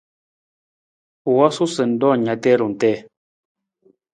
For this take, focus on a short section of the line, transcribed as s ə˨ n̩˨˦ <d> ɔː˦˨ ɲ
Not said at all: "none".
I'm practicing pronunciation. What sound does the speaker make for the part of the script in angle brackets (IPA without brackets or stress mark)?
d